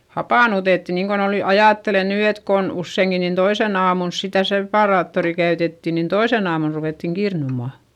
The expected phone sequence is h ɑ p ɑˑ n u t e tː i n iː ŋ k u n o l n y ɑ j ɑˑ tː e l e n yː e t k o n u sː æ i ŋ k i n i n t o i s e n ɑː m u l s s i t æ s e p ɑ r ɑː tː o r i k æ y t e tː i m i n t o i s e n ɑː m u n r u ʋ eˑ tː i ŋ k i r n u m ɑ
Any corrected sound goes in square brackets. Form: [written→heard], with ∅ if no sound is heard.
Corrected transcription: h ɑ p ɑˑ n u t e tː i n iː ŋ k [u→o] n o l n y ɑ j ɑˑ tː e l e n yː e t k o n u sː [æ→e] i ŋ k i n i n t o i s e n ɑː m u l s s i t æ s e p ɑ r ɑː tː o r i k æ y t e tː i [m→n] i n t o i s e n ɑː m u n r u ʋ eˑ tː i ŋ k i r n u m ɑ